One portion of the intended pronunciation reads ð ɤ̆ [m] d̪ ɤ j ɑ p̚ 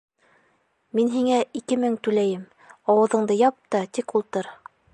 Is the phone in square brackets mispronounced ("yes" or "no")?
yes